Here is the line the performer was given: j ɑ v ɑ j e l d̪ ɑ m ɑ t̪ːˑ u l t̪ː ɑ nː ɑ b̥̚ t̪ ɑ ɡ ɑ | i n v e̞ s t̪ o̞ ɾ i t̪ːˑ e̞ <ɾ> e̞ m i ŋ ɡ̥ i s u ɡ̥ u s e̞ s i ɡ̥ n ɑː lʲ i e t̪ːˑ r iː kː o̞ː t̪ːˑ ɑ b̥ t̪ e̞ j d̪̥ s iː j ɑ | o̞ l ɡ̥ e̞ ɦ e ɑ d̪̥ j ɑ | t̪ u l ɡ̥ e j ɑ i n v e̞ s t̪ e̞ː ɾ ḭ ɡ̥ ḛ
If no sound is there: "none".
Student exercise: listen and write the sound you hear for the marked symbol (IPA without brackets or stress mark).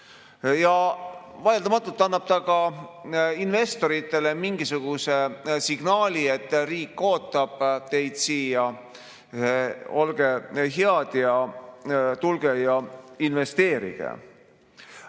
l